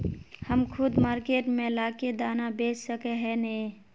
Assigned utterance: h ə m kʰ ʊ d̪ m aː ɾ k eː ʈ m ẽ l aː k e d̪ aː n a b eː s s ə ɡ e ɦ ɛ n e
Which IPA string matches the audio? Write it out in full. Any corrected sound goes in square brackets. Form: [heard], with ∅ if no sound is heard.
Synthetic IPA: h ə m kʰ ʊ d̪ m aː ɾ k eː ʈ m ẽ l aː k e d̪ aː n a b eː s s ə [k] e ɦ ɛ n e